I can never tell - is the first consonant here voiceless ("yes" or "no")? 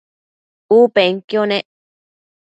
yes